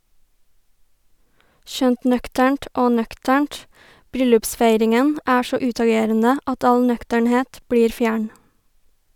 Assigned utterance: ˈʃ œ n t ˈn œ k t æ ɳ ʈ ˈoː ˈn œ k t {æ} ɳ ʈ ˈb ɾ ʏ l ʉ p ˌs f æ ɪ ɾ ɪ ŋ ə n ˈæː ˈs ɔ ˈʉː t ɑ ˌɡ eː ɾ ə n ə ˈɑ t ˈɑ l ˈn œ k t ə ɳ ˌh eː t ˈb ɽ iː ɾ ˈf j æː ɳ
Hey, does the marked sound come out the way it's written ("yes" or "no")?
yes